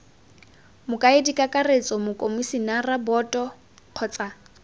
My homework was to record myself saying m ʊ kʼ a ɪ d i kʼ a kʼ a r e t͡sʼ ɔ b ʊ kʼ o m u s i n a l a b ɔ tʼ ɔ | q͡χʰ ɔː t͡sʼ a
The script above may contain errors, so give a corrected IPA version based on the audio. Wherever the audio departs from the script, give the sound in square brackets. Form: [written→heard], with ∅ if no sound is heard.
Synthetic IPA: m ʊ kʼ a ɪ d i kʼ a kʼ a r e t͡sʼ ɔ [b→m] ʊ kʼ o m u s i n a [l→r] a b ɔ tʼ ɔ | q͡χʰ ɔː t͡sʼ a